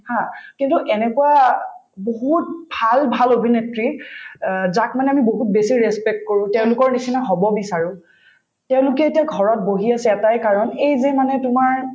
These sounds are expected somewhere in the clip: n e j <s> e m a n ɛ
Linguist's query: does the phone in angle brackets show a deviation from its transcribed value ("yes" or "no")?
yes